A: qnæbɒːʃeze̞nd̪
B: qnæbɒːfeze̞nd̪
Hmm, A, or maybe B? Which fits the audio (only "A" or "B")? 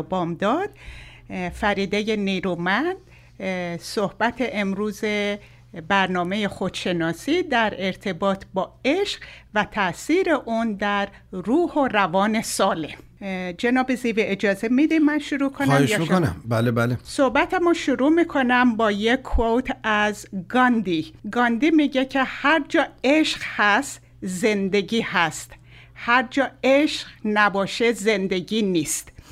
A